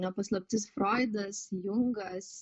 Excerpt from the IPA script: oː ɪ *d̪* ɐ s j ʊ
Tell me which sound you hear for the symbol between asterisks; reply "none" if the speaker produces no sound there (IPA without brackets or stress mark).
d̪